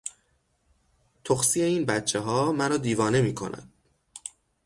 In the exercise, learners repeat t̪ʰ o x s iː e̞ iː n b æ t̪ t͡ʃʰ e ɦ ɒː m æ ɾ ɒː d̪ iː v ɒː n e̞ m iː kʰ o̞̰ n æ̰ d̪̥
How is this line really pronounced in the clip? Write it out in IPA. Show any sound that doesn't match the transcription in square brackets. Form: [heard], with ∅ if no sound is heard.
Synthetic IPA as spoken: t̪ʰ o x s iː e̞ iː n b æ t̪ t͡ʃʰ e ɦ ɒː m æ ɾ ɒː d̪ iː v ɒː n e̞ m iː kʰ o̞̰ n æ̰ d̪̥